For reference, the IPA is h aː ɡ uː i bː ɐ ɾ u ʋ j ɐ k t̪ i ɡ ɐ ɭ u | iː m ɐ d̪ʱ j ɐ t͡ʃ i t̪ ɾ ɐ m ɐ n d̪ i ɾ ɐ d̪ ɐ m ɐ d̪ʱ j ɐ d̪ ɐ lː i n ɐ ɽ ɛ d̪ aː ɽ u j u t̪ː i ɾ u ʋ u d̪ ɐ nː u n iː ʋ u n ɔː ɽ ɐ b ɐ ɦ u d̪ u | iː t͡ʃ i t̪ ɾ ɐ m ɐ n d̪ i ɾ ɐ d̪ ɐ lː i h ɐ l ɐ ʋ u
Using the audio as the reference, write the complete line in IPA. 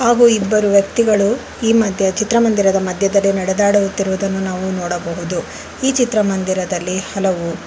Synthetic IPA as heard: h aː ɡ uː i bː ɐ ɾ u ʋ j ɐ k t̪ i ɡ ɐ ɭ u | iː m ɐ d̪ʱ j ɐ t͡ʃ i t̪ ɾ ɐ m ɐ n d̪ i ɾ ɐ d̪ ɐ m ɐ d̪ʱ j ɐ d̪ ɐ lː i n ɐ ɽ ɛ d̪ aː ɽ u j u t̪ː i ɾ u ʋ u d̪ ɐ nː u n aː ʋ u n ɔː ɽ ɐ b ɐ ɦ u d̪ u | iː t͡ʃ i t̪ ɾ ɐ m ɐ n d̪ i ɾ ɐ d̪ ɐ lː i h ɐ l ɐ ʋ u

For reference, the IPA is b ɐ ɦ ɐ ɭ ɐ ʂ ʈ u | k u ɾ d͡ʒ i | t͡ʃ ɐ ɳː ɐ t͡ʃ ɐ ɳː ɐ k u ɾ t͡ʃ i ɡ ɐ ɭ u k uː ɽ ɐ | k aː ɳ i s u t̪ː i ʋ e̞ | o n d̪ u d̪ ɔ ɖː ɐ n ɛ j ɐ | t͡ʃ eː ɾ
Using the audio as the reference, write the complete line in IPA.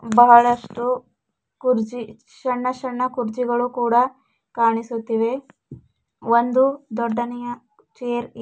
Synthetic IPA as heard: b ɐ ɦ ɐ ɭ ɐ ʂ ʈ u | k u ɾ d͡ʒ i | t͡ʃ ɐ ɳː ɐ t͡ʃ ɐ ɳː ɐ k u ɾ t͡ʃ i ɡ ɐ ɭ u k uː ɽ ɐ | k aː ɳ i s u t̪ː i ʋ e̞ | o n d̪ u d̪ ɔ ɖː ɐ n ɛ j ɐ | t͡ʃ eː ɾ

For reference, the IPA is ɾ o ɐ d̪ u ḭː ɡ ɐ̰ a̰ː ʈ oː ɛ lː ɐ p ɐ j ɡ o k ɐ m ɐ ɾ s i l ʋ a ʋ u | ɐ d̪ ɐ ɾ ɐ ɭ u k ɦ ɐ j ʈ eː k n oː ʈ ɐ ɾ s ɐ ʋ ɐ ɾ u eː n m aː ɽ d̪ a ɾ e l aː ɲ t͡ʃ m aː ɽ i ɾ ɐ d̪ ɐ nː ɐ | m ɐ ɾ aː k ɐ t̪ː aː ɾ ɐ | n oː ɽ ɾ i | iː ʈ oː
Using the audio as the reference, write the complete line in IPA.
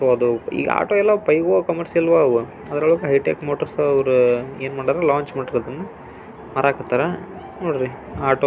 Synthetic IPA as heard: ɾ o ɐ d̪ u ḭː ɡ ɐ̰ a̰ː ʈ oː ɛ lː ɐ p ɐ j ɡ o k ɐ m ɐ ɾ s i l ʋ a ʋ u | ɐ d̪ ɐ ɾ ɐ ɭ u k ɦ ɐ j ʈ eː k m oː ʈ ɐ ɾ s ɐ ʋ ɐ ɾ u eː n m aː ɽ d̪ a ɾ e l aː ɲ t͡ʃ m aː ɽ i ɾ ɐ d̪ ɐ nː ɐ | m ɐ ɾ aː k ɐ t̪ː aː ɾ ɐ | n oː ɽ ɾ i | aː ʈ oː

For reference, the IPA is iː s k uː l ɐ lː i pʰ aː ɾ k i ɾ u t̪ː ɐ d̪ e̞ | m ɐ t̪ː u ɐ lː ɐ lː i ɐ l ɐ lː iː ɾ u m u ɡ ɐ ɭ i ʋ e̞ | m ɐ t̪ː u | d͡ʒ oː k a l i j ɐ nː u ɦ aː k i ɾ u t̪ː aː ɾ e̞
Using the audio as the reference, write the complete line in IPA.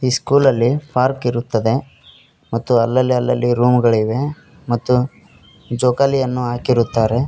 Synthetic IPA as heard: iː s k uː l ɐ lː i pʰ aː ɾ k i ɾ u t̪ː ɐ d̪ e̞ | m ɐ t̪ː u ɐ lː ɐ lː i ɐ lː ɐ lː i ɾ uː m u ɡ ɐ ɭ i ʋ e̞ | m ɐ t̪ː u | d͡ʒ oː k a l i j ɐ nː u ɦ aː k i ɾ u t̪ː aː ɾ e̞

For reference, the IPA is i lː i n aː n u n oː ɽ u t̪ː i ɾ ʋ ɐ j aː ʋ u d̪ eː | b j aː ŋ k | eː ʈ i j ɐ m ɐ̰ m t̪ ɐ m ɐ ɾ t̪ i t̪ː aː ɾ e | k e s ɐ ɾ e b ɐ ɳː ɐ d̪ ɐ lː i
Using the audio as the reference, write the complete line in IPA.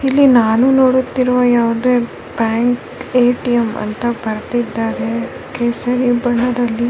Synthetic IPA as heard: i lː i n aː n u n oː ɽ u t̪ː i ɾ ʋ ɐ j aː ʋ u d̪ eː | b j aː ŋ k | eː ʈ i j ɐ m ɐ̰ n t̪ ɐ b ɐ ɾ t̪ i d̪ː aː ɾ e | k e s ɐ ɾ i b ɐ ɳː ɐ d̪ ɐ lː i

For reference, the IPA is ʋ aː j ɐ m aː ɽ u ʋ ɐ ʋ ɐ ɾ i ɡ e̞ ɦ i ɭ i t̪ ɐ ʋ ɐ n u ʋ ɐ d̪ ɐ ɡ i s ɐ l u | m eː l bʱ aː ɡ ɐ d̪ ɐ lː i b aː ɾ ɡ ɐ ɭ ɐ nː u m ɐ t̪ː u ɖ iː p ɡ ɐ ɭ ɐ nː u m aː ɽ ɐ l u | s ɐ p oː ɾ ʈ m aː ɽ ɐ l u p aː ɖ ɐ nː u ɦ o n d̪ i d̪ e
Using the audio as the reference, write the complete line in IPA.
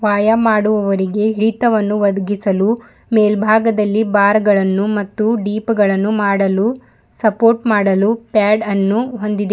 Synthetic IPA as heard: ʋ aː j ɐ m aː ɽ u ʋ ɐ ʋ ɐ ɾ i ɡ e̞ ɦ i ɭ i t̪ ɐ ʋ ɐ nː u ʋ ɐ d̪ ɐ ɡ i s ɐ l u | m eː l bʱ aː ɡ ɐ d̪ ɐ lː i b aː ɾ ɡ ɐ ɭ ɐ nː u m ɐ t̪ː u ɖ iː p ɡ ɐ ɭ ɐ nː u m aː ɽ ɐ l u | s ɐ p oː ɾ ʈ m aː ɽ ɐ l u p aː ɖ ɐ nː u ɦ o n d̪ i d̪ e

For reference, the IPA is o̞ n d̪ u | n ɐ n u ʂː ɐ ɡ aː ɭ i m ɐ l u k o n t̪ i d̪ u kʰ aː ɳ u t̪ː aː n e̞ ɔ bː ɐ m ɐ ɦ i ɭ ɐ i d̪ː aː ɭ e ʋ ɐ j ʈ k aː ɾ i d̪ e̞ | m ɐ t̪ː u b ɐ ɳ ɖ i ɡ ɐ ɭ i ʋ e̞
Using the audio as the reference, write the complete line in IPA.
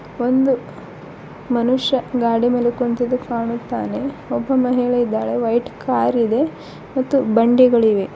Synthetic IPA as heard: o̞ n d̪ u | m ɐ n u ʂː ɐ ɡ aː ɽ i m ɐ l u k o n t̪ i d̪ u k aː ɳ u t̪ː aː n e̞ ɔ bː ɐ m ɐ ɦ i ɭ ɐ i d̪ː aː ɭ e ʋ ɐ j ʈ k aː ɾ i d̪ e̞ | m ɐ t̪ː u b ɐ ɳ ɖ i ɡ ɐ ɭ i ʋ e̞

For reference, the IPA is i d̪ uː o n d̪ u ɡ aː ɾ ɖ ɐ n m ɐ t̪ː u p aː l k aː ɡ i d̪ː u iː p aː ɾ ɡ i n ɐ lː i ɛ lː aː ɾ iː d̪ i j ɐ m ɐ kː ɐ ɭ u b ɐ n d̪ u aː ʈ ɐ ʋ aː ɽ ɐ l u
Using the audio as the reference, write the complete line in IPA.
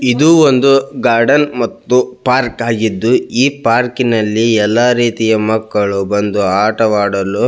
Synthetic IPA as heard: i d̪ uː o n d̪ u ɡ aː ɾ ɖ ɐ n m ɐ t̪ː u p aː ɾ k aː ɡ i d̪ː u iː p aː ɾ k i n ɐ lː i ɛ lː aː ɾ iː t̪ i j ɐ m ɐ kː ɐ ɭ u b ɐ n d̪ u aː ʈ ɐ ʋ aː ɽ ɐ l u

